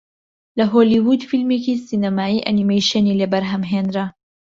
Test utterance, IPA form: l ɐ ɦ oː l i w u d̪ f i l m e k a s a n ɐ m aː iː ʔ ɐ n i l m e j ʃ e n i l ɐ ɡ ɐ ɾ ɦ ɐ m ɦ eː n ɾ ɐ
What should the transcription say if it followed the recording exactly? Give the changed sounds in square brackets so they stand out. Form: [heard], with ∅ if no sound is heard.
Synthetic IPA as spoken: l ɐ ɦ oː l i w u d̪ f i l m e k [i] s [i] n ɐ m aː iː ʔ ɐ n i [∅] m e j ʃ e n i l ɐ [b] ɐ ɾ ɦ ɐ m ɦ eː n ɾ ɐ